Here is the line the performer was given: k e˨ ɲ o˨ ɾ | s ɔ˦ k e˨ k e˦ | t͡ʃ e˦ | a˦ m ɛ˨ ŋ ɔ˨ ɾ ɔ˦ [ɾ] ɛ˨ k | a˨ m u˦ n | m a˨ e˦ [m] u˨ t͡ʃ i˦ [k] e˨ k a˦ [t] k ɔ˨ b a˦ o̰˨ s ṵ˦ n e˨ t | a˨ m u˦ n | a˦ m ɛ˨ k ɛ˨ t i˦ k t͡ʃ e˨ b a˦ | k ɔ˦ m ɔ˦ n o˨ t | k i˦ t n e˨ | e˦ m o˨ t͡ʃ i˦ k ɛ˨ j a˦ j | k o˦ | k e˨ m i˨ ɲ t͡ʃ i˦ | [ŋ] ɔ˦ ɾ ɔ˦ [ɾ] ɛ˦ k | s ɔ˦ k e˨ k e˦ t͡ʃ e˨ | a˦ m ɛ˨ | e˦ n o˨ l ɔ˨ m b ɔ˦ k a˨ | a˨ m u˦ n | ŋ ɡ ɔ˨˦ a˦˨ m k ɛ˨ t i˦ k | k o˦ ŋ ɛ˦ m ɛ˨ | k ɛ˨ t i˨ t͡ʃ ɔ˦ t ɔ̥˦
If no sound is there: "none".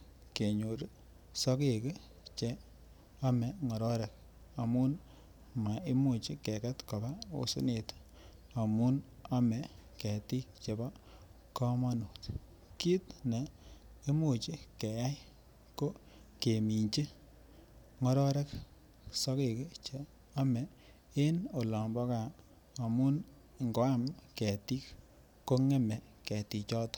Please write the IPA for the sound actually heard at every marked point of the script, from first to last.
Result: ɾ, m, k, t, ŋ, ɾ

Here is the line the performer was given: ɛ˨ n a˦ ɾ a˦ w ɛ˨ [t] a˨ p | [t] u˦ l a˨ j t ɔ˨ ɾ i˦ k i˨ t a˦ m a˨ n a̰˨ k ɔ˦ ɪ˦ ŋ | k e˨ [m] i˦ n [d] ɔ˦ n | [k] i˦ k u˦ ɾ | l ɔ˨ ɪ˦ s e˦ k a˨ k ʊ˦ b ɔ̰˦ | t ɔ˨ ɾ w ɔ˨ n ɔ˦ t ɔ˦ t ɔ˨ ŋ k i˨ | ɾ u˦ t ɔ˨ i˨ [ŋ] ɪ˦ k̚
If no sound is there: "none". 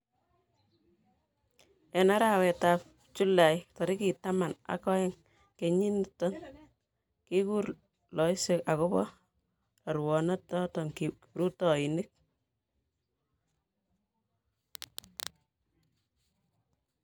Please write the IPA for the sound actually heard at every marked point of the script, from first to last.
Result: t, t͡ʃ, ɲ, t, k, n

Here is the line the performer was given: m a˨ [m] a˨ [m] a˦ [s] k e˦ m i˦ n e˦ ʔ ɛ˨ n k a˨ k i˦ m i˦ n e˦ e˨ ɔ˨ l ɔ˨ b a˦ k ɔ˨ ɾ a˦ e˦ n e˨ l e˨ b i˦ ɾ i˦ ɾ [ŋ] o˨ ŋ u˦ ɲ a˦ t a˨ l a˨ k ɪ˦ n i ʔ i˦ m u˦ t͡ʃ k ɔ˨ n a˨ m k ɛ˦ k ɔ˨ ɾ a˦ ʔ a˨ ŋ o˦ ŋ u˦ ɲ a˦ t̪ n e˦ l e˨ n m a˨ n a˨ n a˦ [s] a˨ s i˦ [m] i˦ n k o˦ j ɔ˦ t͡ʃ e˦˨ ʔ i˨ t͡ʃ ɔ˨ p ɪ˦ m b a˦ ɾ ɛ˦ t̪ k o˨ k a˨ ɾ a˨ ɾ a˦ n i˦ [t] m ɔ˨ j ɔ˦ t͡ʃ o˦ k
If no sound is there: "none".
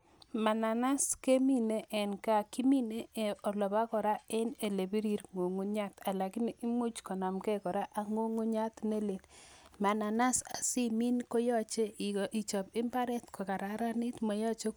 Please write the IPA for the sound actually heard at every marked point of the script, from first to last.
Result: n, n, s, ŋ, s, m, t

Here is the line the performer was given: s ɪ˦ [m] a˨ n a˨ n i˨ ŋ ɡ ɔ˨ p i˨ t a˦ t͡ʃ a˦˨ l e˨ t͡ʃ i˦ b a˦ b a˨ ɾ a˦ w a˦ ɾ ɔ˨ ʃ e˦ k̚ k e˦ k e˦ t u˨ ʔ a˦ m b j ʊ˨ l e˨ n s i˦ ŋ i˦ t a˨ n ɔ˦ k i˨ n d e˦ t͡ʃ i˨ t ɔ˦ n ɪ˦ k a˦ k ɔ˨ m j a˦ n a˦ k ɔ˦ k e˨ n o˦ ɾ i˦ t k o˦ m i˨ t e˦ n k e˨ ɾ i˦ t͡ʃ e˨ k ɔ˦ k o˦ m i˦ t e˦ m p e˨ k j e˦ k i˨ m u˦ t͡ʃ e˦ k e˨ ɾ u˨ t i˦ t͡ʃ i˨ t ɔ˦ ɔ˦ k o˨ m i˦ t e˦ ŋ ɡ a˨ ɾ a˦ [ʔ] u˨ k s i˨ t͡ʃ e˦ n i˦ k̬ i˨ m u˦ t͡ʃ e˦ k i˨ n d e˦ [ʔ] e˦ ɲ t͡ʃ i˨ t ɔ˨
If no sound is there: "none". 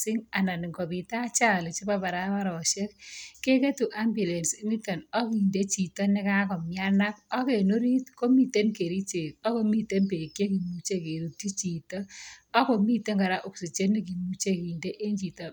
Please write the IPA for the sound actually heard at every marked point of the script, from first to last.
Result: ŋ, ʔ, ʔ

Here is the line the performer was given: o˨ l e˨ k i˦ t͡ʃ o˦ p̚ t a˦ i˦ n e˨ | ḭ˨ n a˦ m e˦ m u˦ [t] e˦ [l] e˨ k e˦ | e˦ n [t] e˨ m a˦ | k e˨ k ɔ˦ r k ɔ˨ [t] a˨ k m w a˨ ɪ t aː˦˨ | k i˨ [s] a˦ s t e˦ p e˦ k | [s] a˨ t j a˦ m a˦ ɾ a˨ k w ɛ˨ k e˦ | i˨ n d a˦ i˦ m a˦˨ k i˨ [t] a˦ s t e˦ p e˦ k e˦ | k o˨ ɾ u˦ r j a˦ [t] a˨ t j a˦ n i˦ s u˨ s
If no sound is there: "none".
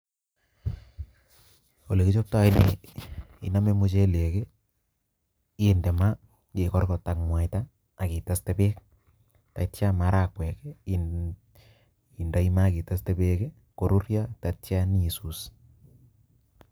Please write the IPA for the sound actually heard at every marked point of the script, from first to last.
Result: t͡ʃ, l, d, t, t, t, t, t

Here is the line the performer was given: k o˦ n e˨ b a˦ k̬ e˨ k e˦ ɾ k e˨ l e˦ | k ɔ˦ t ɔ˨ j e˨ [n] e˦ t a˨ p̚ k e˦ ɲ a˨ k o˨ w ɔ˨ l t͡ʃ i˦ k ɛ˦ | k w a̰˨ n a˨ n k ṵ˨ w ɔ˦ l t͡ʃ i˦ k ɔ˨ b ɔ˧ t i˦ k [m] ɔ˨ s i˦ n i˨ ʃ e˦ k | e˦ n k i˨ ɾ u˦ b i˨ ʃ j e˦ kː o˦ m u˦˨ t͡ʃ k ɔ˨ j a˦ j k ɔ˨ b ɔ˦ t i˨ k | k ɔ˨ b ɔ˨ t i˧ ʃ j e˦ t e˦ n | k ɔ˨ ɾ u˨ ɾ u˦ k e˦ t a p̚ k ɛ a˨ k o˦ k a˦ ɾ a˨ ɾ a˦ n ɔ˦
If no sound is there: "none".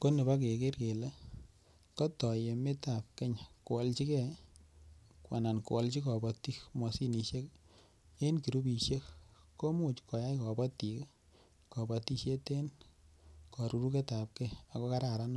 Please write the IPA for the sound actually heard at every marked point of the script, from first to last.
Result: m, m

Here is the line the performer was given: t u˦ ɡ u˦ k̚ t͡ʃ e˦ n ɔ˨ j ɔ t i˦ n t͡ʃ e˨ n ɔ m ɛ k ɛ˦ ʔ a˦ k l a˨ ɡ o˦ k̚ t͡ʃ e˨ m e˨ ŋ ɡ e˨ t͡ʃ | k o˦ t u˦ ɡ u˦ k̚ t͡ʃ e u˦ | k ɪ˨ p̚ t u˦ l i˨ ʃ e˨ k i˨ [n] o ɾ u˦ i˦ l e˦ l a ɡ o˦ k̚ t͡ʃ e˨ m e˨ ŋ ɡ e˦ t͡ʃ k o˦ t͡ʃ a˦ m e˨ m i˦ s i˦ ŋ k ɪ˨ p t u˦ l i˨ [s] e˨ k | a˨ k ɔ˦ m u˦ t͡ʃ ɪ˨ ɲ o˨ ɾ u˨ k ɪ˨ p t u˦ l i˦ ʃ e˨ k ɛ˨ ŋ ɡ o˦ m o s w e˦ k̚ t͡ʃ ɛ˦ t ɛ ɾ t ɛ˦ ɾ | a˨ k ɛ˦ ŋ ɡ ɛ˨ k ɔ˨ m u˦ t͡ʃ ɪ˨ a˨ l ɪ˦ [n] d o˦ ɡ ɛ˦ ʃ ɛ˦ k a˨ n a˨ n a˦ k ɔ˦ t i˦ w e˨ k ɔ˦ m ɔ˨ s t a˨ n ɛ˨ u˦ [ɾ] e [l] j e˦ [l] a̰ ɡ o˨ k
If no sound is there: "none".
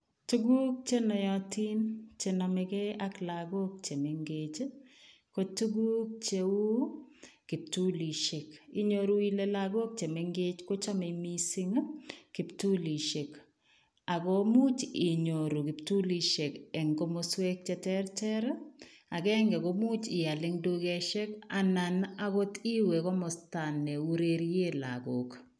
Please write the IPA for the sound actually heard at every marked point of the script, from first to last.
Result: ɲ, ʃ, ŋ, ɾ, ɾ, l

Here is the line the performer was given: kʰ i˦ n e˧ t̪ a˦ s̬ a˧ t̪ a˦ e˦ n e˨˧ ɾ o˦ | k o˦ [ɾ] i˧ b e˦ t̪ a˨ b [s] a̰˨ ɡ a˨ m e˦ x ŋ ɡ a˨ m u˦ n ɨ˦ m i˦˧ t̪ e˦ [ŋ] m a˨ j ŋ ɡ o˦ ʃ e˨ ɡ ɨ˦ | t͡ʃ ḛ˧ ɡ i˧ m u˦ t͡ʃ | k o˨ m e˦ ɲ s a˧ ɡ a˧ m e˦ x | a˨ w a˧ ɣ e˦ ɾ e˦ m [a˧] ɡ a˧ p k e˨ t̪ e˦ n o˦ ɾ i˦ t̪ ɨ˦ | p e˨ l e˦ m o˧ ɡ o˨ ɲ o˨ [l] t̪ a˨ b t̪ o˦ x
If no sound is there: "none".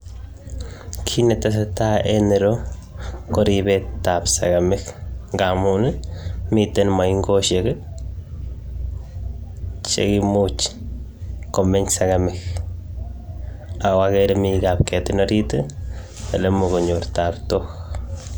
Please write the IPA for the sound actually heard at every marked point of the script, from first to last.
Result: ɾ, s, n, i˧, ɾ

